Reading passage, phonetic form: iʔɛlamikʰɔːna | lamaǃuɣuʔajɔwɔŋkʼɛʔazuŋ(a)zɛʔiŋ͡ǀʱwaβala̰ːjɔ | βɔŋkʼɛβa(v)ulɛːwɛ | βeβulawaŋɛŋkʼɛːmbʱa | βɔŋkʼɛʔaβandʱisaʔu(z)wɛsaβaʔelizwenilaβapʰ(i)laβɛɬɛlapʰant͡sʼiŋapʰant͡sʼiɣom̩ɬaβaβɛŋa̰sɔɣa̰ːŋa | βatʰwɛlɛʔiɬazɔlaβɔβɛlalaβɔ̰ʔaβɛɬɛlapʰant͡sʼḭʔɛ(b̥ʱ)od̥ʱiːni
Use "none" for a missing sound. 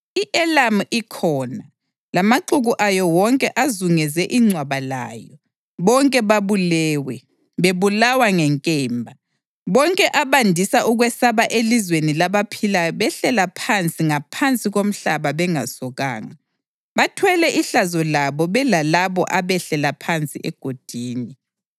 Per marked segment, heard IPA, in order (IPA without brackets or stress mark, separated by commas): ɛ, β, ɣ, i, ɡ̥ʱ